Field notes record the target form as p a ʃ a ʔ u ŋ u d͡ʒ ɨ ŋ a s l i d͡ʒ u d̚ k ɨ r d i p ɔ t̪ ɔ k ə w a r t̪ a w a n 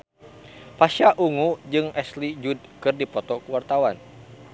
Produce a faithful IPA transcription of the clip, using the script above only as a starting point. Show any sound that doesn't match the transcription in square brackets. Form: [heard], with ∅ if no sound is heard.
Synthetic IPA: p a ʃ a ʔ u ŋ u d͡ʒ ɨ ŋ [ɛ] s l i d͡ʒ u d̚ k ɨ r d i p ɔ t̪ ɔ k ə w a r t̪ a w a n